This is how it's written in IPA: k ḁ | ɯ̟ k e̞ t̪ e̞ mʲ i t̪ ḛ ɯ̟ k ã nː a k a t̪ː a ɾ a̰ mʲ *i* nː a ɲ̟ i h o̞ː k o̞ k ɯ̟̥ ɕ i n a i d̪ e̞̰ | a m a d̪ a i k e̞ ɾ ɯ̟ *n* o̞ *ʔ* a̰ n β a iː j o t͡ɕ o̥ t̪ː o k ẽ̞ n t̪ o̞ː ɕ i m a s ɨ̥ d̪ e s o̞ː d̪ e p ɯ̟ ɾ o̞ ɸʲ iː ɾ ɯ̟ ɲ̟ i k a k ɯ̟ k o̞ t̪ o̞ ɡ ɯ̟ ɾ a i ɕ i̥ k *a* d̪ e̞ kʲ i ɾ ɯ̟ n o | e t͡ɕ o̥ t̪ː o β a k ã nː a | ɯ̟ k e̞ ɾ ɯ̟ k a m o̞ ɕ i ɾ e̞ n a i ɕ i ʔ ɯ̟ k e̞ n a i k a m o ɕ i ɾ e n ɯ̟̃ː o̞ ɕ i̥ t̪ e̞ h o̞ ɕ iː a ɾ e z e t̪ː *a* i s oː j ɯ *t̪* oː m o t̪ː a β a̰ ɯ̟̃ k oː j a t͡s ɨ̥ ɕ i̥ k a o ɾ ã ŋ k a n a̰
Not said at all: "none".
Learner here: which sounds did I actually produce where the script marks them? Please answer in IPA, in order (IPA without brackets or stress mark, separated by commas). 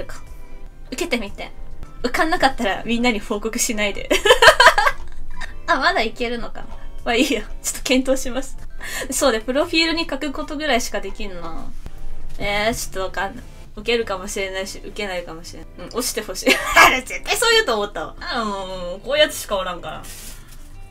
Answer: ĩ, n, k, a, a, t̪